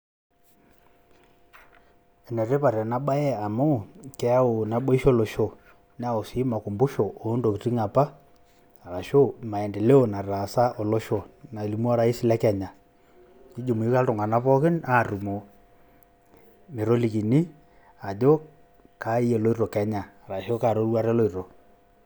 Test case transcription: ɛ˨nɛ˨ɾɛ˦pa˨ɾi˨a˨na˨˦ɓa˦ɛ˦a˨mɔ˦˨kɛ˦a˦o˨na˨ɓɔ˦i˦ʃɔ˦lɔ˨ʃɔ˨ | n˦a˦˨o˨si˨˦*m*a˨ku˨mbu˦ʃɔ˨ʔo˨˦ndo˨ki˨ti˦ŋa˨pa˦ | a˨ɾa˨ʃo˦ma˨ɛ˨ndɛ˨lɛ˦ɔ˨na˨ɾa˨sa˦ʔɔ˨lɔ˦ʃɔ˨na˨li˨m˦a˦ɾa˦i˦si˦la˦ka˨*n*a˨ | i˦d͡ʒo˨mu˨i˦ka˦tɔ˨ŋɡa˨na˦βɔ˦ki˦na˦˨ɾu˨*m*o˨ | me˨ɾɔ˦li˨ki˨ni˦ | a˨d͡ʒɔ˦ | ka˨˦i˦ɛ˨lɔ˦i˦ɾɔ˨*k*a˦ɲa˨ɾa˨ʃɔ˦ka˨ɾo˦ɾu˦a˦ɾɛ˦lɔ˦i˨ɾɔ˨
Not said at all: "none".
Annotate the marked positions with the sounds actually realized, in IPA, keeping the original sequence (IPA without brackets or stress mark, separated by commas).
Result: m, ɲ, m, k